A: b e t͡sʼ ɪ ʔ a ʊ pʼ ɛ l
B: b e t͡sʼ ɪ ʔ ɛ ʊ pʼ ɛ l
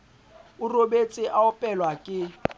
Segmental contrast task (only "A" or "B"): A